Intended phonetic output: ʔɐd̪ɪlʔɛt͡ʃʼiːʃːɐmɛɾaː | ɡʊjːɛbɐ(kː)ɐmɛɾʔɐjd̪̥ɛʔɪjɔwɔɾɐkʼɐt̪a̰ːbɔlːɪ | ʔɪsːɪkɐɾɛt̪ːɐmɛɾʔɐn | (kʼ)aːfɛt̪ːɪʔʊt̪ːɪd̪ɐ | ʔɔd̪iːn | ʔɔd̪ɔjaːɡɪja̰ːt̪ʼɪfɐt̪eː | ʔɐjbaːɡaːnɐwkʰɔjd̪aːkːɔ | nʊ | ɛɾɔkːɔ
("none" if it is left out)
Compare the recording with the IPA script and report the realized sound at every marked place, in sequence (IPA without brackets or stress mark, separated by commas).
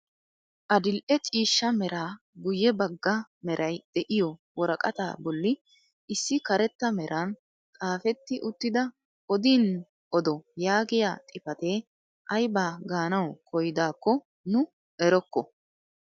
ɡː, kʼ